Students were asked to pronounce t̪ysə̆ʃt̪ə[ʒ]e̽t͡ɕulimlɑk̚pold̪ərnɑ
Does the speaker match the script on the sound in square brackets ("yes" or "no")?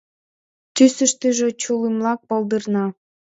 yes